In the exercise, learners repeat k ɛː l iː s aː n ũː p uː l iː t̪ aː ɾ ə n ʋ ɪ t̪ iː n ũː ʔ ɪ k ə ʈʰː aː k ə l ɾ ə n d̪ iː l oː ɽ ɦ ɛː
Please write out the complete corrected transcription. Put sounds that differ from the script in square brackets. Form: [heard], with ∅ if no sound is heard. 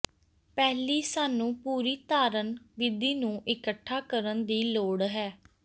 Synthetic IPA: [p] ɛː l iː s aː n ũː p uː [ɾ] iː t̪ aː ɾ ə n ʋ ɪ [d̪] iː n ũː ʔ ɪ k ə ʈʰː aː k ə [∅] ɾ ə n d̪ iː l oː ɽ ɦ ɛː